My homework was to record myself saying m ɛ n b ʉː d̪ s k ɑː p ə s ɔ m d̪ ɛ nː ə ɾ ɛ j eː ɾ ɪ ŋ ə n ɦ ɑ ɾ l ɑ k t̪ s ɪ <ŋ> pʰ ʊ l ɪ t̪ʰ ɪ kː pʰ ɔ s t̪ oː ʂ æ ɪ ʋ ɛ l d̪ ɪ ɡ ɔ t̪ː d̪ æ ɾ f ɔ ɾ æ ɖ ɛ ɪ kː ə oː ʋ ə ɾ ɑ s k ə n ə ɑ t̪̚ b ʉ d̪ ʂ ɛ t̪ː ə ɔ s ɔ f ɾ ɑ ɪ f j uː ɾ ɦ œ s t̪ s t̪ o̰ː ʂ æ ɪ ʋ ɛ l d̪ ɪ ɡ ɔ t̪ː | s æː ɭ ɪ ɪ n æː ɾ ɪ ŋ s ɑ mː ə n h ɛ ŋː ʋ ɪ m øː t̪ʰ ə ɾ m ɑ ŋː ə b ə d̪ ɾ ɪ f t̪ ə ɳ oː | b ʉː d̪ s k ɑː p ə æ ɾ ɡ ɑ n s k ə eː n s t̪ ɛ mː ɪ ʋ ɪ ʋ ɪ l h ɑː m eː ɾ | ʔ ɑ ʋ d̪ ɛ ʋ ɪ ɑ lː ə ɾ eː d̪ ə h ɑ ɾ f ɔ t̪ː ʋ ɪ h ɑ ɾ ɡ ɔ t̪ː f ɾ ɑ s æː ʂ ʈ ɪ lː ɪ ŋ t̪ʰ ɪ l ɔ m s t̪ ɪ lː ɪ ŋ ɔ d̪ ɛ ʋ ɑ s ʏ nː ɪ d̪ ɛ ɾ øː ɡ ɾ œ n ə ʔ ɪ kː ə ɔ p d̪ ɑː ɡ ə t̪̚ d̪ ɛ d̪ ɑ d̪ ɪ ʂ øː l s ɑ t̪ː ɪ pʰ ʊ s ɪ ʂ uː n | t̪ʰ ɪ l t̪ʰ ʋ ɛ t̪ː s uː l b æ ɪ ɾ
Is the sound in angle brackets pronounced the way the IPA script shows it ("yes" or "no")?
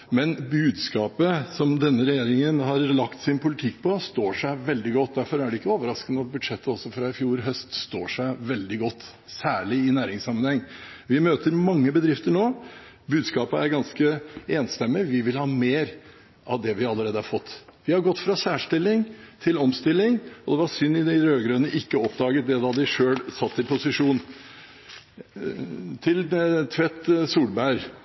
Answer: no